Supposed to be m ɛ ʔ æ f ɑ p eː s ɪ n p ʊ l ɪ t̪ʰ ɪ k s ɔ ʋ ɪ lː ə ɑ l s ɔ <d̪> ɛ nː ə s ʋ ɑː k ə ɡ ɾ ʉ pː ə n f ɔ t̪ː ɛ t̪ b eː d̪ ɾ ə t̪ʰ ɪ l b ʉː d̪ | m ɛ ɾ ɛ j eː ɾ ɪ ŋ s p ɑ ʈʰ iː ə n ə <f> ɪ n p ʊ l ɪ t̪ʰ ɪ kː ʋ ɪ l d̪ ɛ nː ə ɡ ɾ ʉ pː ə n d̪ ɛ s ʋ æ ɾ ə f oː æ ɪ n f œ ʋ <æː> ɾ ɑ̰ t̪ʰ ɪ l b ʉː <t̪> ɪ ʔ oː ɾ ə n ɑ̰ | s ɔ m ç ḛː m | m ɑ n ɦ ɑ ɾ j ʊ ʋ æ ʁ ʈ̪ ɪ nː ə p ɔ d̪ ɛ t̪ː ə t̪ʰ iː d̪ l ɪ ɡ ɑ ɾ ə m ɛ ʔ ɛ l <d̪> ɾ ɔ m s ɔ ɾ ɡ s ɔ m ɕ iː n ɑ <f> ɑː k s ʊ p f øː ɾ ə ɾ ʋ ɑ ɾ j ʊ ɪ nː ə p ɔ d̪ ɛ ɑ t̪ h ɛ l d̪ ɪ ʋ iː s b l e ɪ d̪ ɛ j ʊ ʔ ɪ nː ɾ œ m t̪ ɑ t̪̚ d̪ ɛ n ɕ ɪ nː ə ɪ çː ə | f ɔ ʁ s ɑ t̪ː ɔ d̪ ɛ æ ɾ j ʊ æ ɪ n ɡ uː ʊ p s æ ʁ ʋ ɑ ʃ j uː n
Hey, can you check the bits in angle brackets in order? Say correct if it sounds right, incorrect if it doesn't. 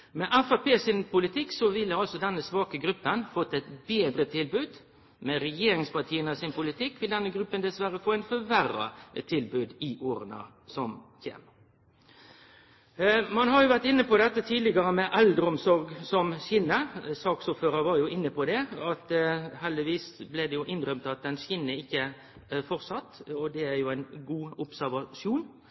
correct, incorrect: s, incorrect: æ, incorrect: d̪, correct, incorrect: s

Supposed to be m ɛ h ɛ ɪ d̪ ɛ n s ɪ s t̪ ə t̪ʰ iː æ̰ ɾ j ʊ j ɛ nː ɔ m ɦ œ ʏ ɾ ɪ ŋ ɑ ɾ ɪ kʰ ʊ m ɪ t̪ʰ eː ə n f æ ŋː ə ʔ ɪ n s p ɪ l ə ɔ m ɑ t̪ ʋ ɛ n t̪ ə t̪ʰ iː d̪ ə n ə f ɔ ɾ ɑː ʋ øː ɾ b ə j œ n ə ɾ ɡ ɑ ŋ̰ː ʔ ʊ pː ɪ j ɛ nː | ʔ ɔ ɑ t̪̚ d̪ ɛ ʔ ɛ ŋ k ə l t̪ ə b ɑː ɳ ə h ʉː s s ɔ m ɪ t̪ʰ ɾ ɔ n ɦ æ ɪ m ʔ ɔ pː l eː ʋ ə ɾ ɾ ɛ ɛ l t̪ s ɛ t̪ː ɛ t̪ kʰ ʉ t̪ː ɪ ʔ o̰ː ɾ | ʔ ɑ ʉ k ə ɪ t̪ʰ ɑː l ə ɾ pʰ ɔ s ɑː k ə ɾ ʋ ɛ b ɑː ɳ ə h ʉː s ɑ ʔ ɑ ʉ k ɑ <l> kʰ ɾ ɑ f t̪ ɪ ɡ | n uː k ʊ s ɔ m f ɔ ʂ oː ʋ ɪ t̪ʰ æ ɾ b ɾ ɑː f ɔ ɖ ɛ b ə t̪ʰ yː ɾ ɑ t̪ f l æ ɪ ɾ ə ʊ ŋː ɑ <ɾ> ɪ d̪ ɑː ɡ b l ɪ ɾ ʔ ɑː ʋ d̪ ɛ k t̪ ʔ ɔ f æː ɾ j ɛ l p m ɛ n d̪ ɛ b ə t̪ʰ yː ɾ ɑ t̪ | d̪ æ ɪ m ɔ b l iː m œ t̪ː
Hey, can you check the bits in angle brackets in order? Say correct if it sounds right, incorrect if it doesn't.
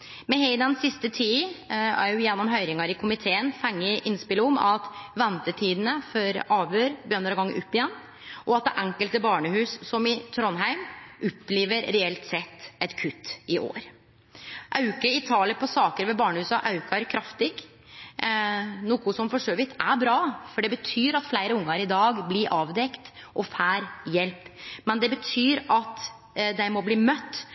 incorrect: ɾ, correct

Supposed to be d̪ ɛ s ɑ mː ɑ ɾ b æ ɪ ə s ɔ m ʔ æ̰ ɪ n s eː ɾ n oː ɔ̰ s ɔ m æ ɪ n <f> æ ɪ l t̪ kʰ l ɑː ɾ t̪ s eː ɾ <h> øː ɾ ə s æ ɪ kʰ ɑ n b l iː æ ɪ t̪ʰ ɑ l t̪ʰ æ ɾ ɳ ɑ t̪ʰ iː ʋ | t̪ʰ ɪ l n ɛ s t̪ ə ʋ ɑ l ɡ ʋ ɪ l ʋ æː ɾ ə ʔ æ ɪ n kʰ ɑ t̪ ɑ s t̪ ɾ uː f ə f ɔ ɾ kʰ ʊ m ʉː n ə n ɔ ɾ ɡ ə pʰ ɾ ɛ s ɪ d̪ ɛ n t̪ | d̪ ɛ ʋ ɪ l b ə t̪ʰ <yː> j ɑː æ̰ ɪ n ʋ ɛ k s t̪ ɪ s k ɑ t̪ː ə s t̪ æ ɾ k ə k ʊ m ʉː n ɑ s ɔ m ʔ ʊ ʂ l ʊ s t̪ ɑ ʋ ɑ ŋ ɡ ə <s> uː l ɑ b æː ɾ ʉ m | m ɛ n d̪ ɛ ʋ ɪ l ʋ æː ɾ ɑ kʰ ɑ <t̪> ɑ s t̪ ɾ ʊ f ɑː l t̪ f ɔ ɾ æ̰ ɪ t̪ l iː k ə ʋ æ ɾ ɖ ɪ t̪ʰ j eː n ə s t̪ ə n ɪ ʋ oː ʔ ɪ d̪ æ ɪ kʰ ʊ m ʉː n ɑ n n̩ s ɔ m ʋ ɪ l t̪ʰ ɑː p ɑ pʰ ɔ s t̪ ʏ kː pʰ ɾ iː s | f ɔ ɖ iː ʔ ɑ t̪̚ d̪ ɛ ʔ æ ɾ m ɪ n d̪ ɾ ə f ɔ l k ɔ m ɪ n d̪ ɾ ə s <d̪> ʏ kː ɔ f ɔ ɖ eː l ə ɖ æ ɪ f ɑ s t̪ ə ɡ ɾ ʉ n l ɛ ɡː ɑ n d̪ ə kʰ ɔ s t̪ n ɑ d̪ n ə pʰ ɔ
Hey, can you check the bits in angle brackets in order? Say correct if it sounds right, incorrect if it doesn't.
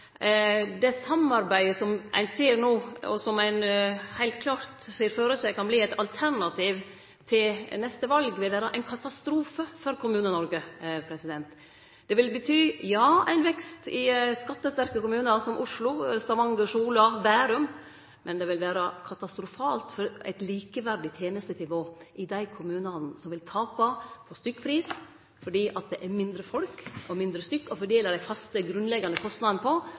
incorrect: h, incorrect: f, correct, incorrect: ʂ, correct, incorrect: t̪

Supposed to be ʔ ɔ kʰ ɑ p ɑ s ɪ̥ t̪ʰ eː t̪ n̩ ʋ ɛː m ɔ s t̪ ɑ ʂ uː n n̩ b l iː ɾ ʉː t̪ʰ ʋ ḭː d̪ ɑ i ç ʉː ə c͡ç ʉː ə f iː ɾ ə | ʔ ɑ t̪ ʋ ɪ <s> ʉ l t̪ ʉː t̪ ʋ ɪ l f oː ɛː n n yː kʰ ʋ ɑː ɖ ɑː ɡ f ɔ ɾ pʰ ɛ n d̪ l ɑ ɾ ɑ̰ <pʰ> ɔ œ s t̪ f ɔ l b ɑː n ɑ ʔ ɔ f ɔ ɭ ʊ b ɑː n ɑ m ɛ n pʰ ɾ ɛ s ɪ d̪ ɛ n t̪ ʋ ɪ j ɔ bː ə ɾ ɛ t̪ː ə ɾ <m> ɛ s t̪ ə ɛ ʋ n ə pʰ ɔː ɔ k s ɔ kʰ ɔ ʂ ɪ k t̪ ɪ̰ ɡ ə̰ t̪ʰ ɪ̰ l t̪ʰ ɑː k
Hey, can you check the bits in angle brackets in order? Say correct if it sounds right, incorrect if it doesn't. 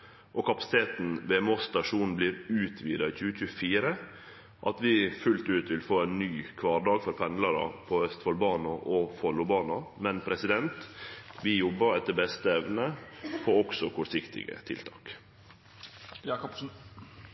incorrect: f, correct, incorrect: b

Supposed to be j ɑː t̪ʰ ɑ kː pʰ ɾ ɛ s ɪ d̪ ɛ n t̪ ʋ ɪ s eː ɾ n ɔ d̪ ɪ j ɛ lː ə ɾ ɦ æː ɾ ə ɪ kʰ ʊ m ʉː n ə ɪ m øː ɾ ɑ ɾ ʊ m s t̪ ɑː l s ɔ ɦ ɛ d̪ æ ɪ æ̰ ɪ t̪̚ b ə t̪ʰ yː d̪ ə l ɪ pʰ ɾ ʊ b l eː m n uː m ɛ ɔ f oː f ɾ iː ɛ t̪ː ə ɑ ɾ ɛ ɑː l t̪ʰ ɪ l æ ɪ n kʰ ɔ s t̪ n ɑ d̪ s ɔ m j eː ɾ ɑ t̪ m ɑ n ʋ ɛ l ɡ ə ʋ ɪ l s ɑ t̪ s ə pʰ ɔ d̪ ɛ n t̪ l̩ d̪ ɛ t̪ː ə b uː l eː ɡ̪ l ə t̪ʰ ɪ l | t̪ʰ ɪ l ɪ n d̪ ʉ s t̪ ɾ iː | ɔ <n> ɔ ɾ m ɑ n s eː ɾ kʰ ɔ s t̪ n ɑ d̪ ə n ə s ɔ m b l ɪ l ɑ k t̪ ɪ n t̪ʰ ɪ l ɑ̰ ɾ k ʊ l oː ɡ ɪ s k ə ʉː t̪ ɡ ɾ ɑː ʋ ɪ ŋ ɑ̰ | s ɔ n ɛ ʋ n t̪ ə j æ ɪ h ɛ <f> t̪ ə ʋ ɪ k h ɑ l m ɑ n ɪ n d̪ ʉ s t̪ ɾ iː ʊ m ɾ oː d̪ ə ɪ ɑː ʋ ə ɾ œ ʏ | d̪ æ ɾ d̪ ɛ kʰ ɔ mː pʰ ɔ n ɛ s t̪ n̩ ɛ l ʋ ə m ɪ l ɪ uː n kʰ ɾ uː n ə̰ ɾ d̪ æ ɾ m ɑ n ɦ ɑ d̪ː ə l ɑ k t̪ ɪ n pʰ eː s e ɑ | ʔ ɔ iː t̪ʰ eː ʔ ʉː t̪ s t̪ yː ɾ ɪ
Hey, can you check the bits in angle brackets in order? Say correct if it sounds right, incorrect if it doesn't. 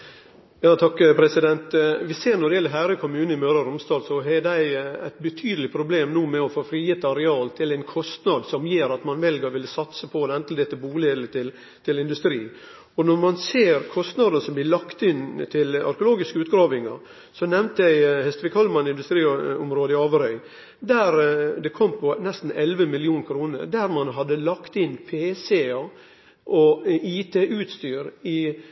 correct, incorrect: s

